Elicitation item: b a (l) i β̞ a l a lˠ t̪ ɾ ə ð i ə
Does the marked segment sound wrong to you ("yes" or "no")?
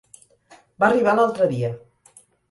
yes